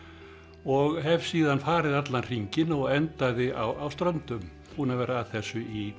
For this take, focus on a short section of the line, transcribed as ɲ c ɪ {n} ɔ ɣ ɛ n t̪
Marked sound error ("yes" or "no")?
no